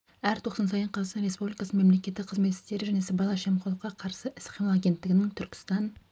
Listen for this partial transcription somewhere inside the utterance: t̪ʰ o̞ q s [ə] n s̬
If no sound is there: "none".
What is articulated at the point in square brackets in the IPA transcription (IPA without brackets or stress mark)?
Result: ɑ